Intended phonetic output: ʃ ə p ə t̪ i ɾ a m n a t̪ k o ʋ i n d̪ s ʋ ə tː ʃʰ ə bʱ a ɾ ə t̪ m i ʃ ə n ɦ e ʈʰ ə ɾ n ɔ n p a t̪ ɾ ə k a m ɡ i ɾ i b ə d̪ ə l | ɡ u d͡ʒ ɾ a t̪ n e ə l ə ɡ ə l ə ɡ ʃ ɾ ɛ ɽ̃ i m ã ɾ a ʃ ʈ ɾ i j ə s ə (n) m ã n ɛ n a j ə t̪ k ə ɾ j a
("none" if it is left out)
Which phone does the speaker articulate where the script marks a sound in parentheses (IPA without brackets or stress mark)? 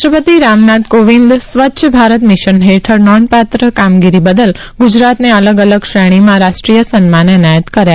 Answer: n